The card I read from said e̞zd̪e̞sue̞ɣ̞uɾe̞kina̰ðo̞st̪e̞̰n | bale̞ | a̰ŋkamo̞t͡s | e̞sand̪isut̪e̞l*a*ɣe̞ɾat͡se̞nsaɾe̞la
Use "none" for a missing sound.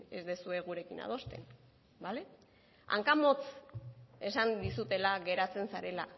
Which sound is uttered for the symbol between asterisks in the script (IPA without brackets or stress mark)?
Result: a